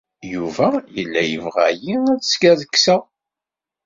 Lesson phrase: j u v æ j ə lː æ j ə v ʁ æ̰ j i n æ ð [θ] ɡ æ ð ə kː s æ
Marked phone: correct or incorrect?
incorrect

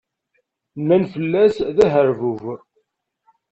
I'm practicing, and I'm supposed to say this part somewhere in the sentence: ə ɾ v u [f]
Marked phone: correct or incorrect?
incorrect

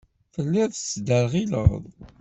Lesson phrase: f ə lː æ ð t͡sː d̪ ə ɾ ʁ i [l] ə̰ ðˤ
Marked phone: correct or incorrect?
correct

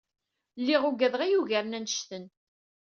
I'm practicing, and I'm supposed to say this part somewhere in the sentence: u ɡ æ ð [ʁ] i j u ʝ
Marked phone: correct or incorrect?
correct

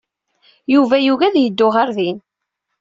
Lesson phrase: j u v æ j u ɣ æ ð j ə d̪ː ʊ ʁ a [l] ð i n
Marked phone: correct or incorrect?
incorrect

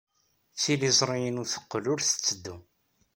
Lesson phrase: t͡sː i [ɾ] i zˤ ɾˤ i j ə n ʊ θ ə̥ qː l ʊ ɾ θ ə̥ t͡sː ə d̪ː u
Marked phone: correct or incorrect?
incorrect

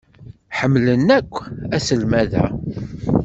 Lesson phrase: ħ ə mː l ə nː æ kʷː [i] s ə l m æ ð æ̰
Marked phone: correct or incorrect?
incorrect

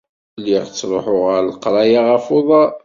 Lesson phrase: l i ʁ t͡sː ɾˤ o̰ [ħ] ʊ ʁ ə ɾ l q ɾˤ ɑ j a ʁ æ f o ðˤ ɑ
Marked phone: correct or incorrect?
correct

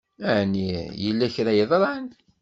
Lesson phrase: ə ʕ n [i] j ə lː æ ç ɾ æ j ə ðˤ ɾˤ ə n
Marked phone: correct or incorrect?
correct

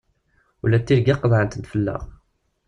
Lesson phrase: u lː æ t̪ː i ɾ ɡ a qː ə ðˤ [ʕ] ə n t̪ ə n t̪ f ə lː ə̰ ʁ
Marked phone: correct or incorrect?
correct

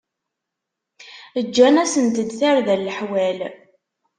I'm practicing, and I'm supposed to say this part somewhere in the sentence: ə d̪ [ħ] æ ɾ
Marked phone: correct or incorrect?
incorrect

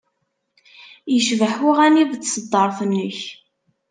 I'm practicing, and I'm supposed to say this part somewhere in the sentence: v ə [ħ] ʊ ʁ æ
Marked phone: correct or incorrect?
correct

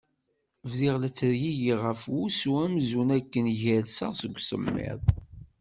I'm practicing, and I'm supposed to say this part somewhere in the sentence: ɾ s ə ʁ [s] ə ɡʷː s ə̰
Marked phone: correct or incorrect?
correct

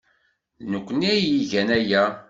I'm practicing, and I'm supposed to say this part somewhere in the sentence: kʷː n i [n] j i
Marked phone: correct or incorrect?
incorrect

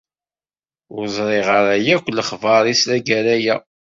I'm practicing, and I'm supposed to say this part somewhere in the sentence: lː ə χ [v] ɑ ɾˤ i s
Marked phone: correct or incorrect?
correct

